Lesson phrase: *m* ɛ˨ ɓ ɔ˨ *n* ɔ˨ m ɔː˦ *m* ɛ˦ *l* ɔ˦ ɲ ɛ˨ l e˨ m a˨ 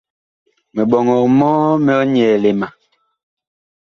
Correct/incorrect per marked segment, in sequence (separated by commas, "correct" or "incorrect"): correct, incorrect, correct, incorrect